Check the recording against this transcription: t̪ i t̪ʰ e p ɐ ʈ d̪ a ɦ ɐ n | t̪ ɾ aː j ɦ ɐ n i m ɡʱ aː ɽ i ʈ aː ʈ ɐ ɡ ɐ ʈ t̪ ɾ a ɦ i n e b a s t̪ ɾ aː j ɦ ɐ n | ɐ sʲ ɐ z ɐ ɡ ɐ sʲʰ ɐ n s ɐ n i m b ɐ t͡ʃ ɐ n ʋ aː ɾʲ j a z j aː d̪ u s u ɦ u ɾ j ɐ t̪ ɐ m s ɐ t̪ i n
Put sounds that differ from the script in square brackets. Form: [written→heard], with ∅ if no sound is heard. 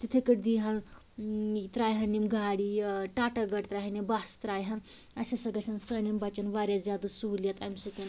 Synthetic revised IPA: t̪ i t̪ʰ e [p→k] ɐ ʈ d̪ [a→i] ɦ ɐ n | t̪ ɾ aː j ɦ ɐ n i m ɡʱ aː ɽ i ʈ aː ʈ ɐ ɡ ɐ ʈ t̪ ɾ a ɦ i n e b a s t̪ ɾ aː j ɦ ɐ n | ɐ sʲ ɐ [z→s] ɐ ɡ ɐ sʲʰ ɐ n s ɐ n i m b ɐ t͡ʃ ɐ n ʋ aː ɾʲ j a z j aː d̪ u s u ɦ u [ɾ→l] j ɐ t̪ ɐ m s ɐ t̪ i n